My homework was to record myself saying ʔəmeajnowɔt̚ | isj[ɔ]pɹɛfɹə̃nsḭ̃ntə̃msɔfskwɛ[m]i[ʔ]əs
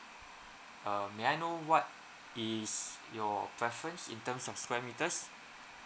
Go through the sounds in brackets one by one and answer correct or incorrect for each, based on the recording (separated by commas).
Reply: correct, correct, incorrect